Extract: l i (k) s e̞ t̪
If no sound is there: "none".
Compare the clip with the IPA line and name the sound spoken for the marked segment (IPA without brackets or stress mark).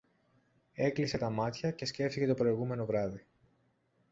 none